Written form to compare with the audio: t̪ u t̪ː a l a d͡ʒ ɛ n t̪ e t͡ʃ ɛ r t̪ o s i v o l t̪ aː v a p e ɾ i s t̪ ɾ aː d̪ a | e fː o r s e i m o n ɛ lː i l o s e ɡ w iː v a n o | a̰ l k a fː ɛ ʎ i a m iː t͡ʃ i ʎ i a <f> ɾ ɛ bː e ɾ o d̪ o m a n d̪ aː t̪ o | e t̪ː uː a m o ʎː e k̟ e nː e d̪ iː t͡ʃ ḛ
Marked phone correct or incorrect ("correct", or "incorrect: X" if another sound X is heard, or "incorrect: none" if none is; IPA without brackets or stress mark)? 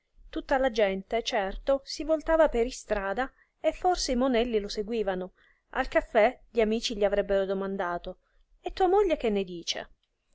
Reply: incorrect: v